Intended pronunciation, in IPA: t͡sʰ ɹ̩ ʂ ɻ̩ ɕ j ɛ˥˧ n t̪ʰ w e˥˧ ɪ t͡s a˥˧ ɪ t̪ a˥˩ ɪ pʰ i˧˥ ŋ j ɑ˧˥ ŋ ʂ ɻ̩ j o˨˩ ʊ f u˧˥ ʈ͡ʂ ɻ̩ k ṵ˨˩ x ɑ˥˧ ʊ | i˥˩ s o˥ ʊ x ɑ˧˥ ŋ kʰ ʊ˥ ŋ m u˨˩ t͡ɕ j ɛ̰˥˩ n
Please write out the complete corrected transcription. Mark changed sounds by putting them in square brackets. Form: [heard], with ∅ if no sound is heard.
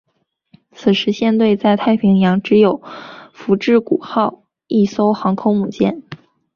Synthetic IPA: t͡sʰ ɹ̩ ʂ ɻ̩ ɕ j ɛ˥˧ n [t̪] w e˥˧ ɪ t͡s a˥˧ ɪ [t̪ʰ] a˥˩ ɪ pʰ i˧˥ ŋ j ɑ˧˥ ŋ [ʈ͡ʂ] ɻ̩ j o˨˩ ʊ f u˧˥ ʈ͡ʂ ɻ̩ k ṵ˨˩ x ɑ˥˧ ʊ | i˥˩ s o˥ ʊ x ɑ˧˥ ŋ kʰ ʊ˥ ŋ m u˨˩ t͡ɕ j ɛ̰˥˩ n